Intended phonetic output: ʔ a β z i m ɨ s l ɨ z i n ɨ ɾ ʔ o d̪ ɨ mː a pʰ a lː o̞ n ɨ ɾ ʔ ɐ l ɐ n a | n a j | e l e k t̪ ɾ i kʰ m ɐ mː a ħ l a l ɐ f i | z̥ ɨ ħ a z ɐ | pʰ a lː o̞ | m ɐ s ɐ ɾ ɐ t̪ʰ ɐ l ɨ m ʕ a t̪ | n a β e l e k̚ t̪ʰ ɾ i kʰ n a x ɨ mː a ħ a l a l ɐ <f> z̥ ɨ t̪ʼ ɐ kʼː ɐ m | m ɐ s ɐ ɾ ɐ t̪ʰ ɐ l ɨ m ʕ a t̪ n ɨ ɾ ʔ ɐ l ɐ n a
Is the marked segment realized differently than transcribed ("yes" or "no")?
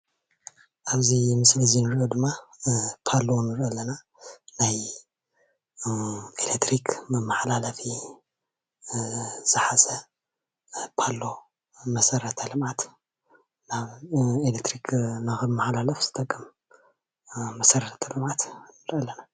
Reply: no